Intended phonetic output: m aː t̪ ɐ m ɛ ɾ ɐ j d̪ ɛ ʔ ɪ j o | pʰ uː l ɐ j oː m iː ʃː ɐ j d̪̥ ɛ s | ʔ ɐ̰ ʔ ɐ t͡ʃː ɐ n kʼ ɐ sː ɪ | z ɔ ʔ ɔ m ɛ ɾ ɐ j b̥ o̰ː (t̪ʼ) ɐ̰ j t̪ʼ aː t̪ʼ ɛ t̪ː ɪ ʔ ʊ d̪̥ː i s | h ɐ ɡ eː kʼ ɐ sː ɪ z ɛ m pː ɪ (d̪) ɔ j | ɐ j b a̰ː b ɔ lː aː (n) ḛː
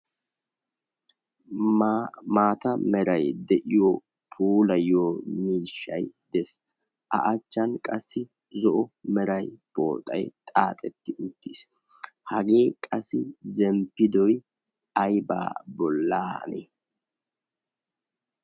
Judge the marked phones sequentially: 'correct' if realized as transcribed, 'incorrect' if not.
correct, correct, correct

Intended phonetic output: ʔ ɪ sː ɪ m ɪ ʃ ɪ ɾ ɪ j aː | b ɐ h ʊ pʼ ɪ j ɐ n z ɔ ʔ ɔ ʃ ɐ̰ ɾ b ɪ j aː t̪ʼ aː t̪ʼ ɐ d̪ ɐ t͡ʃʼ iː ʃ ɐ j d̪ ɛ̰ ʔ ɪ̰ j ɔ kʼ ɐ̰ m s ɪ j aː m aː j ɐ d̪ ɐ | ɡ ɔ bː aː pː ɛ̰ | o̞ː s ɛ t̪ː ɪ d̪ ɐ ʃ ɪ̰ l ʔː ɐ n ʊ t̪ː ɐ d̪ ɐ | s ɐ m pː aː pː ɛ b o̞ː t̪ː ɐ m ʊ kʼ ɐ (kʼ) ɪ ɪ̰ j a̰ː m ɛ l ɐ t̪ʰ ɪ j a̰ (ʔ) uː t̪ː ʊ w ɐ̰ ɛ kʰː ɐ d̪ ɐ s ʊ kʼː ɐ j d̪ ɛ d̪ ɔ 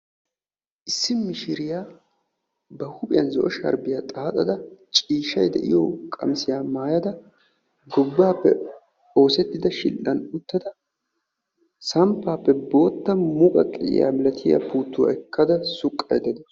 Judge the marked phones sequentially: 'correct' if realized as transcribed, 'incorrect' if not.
correct, incorrect: p

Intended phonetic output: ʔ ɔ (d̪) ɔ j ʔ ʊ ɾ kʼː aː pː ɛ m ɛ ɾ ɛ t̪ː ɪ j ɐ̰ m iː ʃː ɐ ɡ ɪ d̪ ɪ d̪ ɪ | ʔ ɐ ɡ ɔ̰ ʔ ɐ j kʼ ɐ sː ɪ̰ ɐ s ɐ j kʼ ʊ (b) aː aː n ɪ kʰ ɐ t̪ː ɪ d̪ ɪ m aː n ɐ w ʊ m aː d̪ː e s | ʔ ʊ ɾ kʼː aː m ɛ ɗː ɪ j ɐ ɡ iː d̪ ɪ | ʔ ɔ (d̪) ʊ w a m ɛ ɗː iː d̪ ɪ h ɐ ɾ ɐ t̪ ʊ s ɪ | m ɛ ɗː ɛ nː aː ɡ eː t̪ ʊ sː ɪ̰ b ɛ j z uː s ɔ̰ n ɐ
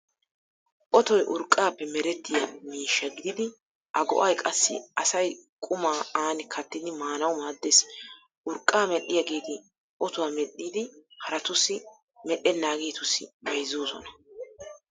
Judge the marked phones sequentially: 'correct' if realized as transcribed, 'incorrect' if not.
incorrect: t̪, incorrect: m, incorrect: t̪

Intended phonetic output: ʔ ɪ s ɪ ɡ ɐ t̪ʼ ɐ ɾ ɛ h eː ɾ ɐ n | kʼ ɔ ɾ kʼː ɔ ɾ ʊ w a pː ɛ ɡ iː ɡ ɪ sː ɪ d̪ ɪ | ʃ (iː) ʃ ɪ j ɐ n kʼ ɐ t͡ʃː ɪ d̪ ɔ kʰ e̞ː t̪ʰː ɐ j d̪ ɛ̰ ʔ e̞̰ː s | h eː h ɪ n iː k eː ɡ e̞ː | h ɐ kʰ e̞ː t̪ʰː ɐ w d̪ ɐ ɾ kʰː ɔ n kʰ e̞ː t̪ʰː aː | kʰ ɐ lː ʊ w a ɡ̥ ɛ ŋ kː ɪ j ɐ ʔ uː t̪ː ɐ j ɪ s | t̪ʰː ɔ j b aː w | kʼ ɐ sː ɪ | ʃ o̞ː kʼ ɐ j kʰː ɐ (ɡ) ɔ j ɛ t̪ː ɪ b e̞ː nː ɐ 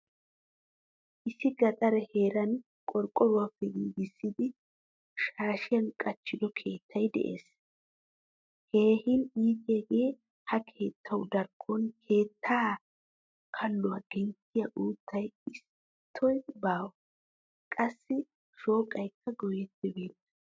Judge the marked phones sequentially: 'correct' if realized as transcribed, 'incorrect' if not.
incorrect: aː, correct

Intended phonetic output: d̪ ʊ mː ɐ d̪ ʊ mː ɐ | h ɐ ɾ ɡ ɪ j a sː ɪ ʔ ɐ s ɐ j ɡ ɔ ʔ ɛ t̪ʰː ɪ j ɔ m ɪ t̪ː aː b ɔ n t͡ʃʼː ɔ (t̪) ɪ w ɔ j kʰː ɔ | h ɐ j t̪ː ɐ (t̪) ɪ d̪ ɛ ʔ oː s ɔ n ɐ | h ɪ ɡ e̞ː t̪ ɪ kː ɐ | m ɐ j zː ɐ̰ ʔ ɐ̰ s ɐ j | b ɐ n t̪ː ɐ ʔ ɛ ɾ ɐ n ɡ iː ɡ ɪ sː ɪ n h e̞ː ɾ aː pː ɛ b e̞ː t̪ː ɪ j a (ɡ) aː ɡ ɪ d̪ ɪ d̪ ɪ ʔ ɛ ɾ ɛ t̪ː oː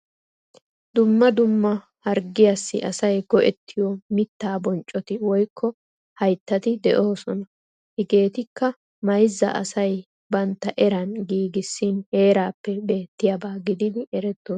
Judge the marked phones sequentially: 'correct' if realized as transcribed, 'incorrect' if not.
correct, correct, incorrect: b

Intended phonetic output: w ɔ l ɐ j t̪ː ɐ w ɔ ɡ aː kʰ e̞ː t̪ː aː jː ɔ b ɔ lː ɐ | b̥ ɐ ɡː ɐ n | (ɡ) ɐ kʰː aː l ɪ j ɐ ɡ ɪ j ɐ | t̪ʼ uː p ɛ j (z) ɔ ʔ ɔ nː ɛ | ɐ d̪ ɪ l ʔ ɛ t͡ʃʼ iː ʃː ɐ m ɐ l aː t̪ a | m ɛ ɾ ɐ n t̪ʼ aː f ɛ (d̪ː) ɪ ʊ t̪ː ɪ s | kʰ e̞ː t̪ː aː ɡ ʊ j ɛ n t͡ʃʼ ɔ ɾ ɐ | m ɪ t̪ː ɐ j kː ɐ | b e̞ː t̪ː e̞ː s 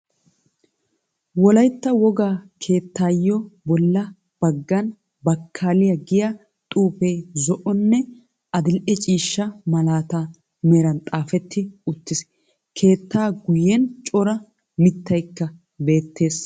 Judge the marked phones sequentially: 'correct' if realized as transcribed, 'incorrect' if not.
incorrect: b, correct, incorrect: t̪ː

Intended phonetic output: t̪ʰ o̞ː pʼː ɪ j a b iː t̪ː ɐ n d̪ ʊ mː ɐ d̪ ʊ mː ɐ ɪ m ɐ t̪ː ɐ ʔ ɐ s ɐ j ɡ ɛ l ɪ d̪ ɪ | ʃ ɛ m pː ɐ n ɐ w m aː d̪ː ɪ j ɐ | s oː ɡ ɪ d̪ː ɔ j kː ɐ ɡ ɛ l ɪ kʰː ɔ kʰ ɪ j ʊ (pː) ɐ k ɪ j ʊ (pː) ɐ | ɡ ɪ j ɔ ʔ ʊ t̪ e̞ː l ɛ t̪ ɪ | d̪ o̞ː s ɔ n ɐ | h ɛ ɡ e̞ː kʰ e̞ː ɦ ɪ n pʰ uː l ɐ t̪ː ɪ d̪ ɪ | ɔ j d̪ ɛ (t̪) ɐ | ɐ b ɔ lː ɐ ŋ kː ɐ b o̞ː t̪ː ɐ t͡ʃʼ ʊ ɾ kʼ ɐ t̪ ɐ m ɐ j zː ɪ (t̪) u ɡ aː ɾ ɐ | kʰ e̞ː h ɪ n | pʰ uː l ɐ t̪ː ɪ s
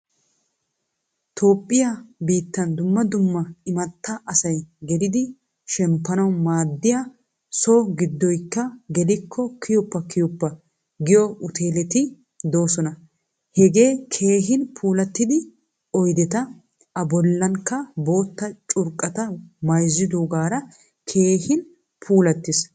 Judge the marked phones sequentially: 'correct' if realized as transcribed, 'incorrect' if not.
correct, correct, correct, incorrect: d̪

